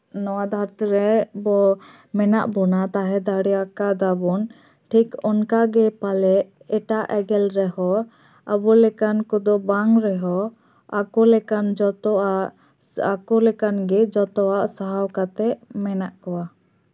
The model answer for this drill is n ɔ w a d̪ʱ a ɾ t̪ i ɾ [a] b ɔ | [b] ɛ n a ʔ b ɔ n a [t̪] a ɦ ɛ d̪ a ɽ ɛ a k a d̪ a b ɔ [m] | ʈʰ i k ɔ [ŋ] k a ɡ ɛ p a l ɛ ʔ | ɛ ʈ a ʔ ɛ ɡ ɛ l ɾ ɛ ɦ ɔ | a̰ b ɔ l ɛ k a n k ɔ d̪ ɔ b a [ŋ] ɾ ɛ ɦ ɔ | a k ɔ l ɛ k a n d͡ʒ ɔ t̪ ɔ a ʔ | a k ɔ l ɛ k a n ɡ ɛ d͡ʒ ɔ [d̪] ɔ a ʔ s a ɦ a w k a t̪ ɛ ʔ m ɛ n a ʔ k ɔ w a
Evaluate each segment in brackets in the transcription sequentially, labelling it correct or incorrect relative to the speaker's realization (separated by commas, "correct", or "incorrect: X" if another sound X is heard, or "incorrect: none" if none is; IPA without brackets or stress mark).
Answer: incorrect: ɛ, incorrect: m, correct, incorrect: n, incorrect: n, correct, incorrect: t̪